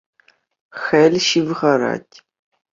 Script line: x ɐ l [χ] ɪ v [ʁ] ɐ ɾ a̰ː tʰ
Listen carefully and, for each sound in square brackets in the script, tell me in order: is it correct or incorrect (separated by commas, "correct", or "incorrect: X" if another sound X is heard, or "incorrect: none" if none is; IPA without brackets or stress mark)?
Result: incorrect: ʃ, correct